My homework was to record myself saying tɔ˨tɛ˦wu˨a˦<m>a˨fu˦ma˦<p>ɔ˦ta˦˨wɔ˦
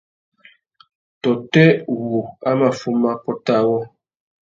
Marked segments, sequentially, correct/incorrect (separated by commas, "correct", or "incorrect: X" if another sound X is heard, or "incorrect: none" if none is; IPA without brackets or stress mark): correct, correct